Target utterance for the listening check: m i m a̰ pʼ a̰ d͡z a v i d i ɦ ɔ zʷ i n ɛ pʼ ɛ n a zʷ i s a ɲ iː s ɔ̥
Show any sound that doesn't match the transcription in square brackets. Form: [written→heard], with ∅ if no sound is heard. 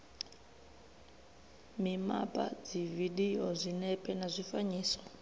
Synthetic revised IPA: m i m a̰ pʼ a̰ d͡z [a→i] v i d i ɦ ɔ zʷ i n ɛ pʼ ɛ n a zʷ i [s→f] a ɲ iː s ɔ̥